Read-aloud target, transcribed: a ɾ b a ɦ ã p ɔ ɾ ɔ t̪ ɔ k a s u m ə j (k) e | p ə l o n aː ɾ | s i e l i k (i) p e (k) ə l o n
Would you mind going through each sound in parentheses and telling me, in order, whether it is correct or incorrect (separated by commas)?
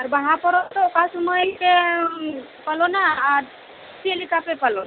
correct, incorrect, incorrect